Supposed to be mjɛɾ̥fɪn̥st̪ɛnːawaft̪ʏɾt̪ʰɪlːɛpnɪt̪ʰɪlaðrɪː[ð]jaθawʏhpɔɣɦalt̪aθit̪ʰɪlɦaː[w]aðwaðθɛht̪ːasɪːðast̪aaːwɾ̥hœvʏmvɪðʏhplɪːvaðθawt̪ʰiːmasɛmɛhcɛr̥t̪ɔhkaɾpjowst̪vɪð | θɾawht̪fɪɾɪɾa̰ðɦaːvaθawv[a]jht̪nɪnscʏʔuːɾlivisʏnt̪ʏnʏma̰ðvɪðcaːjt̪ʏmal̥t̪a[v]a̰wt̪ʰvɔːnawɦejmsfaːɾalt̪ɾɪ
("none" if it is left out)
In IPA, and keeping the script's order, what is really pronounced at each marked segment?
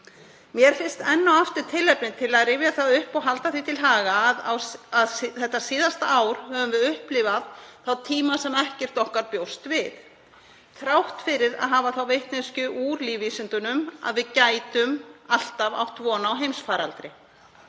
v, ɣ, e, v

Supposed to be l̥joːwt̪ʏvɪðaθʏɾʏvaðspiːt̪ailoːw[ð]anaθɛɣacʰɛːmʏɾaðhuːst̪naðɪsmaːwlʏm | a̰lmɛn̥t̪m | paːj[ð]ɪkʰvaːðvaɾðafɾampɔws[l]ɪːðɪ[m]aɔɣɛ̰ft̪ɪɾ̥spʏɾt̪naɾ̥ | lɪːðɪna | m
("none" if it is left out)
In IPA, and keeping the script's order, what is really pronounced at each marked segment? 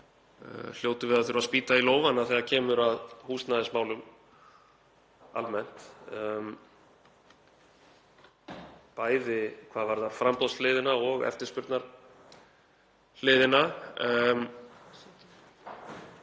v, ð, l, n

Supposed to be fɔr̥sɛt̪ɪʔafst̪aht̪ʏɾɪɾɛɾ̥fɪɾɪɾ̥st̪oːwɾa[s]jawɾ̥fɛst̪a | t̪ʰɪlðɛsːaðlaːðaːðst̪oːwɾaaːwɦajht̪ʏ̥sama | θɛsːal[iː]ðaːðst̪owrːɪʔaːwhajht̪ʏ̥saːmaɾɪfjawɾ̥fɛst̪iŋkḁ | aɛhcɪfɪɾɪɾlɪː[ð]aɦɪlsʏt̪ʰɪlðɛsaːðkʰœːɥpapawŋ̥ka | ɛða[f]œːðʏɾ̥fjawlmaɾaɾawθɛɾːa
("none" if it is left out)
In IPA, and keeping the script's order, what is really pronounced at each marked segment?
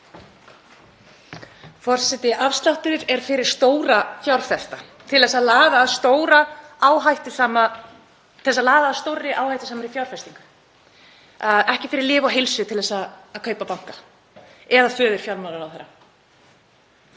f, aː, v, f

